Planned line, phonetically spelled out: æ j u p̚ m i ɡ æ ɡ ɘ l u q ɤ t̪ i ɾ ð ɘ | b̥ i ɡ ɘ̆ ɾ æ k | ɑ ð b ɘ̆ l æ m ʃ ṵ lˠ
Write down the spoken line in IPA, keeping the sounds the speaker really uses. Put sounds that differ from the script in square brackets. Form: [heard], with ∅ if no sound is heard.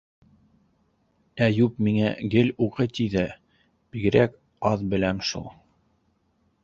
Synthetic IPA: æ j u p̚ m i [ŋ] æ ɡ ɘ l u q ɤ t̪ i [∅] ð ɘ | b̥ i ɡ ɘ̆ ɾ æ k | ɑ ð b ɘ̆ l æ m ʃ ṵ lˠ